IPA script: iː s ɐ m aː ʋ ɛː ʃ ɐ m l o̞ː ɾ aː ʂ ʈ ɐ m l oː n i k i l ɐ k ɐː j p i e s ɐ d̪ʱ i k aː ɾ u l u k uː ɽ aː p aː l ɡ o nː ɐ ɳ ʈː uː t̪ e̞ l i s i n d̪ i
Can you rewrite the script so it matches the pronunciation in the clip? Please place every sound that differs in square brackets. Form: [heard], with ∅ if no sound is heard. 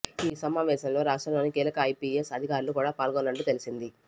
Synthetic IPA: iː s ɐ m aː ʋ ɛː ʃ ɐ m l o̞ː ɾ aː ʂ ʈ ɐ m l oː n i k [iː] l ɐ k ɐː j p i e s ɐ d̪ʱ i k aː ɾ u l u k uː ɽ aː p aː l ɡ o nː ɐ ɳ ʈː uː t̪ e̞ l i s i n d̪ i